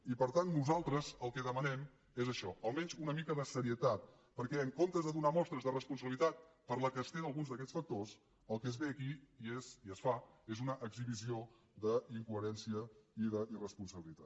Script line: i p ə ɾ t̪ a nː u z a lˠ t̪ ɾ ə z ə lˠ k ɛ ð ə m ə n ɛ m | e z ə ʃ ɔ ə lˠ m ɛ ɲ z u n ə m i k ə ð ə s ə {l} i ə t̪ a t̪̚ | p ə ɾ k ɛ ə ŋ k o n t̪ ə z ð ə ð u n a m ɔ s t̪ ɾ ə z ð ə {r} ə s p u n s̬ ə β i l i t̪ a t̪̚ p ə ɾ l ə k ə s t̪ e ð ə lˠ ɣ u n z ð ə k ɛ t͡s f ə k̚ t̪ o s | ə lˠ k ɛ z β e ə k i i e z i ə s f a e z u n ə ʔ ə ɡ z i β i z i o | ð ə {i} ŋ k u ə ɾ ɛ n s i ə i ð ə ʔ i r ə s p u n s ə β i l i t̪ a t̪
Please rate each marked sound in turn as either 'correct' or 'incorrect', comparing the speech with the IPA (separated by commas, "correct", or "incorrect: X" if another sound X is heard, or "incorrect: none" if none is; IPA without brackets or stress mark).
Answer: incorrect: ɾ, correct, correct